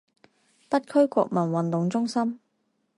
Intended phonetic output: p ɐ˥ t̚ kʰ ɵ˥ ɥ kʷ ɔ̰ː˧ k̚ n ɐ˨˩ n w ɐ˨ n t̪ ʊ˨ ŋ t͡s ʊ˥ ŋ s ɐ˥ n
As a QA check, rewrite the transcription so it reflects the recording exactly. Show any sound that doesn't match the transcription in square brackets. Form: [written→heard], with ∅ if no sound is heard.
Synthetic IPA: p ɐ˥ t̚ kʰ ɵ˥ ɥ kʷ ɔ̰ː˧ k̚ [n→m] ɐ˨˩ n w ɐ˨ n t̪ ʊ˨ ŋ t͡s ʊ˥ ŋ s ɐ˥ [n→m]